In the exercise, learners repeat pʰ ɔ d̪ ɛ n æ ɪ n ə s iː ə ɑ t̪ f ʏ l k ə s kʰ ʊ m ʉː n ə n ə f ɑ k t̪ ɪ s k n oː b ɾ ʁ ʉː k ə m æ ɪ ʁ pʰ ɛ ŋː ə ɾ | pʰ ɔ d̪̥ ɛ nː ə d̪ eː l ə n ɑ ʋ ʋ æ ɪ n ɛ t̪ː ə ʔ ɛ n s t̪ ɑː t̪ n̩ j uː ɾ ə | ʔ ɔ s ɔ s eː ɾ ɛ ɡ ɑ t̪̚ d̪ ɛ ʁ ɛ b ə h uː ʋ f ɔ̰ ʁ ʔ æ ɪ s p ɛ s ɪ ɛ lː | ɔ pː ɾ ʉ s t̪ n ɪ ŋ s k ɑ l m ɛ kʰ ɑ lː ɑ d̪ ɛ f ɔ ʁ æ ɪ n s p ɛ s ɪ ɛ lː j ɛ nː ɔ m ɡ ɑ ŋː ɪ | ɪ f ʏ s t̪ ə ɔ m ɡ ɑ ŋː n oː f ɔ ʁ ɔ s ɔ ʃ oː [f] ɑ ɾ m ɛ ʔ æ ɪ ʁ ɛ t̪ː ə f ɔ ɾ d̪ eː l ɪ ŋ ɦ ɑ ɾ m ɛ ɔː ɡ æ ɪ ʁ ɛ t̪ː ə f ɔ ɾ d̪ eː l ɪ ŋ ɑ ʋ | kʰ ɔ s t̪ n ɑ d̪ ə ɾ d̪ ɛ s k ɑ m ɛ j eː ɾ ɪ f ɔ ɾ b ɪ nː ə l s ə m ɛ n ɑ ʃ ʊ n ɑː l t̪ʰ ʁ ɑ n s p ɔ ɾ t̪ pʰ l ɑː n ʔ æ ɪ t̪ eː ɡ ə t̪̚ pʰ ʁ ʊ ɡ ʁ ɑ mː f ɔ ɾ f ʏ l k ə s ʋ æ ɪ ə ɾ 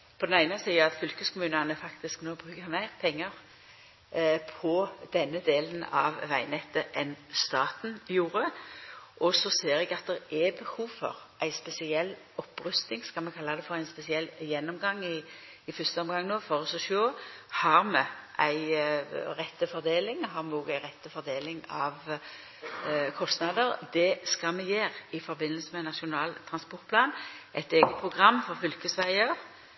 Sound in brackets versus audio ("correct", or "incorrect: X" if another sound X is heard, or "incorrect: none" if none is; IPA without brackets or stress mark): incorrect: h